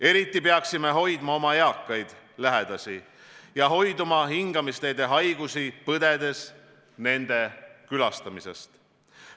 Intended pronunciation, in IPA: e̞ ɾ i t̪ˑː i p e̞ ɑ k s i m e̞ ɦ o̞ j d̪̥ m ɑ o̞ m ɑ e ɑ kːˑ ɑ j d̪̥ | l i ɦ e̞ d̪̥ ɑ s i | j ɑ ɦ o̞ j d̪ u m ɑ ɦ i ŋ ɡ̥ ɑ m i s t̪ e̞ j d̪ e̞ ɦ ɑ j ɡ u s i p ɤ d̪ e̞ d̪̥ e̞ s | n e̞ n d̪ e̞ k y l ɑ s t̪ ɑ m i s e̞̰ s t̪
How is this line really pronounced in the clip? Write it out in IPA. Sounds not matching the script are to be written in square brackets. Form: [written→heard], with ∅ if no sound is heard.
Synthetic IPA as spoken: e̞ ɾ i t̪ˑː i p e̞ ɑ k s i m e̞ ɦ o̞ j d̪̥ m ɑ o̞ m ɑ e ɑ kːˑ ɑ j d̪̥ | l [i→æ] ɦ e̞ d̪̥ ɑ s i | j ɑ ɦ o̞ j d̪ u m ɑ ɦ i ŋ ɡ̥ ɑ m i s t̪ e̞ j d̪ e̞ ɦ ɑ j ɡ u s i p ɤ d̪ e̞ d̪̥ e̞ s | n e̞ n d̪ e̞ k y l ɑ s t̪ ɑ m i s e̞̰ s t̪